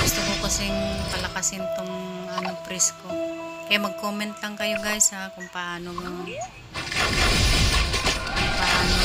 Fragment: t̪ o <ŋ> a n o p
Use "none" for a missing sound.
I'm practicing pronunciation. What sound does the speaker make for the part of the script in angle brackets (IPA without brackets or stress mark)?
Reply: ŋ